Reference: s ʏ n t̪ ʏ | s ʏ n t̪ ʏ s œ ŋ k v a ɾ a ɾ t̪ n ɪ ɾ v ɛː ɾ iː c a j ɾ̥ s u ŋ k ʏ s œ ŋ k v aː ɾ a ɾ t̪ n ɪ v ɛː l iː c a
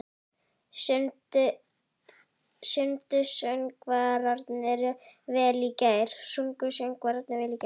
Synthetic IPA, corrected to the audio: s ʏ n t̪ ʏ | s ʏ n t̪ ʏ s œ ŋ k v a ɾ a ɾ t̪ n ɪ ɾ v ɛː l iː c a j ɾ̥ s u ŋ k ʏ s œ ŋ k v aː ɾ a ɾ t̪ n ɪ v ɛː l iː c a